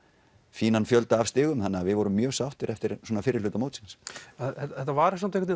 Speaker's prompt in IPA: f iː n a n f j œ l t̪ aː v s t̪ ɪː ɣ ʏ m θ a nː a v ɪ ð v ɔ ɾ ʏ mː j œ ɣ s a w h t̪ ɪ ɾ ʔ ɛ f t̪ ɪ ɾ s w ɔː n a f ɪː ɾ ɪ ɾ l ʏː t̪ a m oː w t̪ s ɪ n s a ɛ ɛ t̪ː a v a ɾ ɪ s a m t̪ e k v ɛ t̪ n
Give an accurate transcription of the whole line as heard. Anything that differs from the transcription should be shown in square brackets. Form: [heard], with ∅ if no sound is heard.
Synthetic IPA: f iː n a n f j œ l t̪ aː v s t̪ ɪː ɣ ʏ m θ a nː a v ɪ ð v ɔ ɾ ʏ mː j [œː] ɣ s a w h t̪ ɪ ɾ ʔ ɛ f t̪ ɪ ɾ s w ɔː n a f ɪː ɾ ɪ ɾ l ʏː t̪ a m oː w t̪ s ɪ n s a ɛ ɛ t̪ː a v a ɾ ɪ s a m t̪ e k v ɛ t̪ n